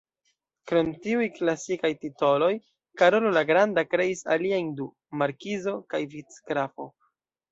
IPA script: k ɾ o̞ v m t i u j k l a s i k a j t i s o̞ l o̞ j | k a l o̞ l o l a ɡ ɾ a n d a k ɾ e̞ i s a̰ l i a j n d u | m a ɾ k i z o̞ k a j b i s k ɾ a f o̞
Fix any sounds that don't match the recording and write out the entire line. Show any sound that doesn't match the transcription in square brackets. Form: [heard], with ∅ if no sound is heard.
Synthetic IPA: k ɾ o̞ [∅] m t i u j k l a s i k a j t i [t] o̞ l o̞ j | k a [ɾ] o̞ l o l a ɡ ɾ a n d a k ɾ e̞ i s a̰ l i a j n d u | m a ɾ k i z o̞ k a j [v] i [t͡s] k ɾ a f o̞